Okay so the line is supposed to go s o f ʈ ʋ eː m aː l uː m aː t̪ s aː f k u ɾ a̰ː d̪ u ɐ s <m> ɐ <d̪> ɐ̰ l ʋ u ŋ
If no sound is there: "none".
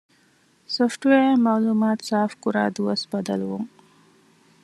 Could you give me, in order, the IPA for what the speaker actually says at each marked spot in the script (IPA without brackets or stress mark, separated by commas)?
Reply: b, d̪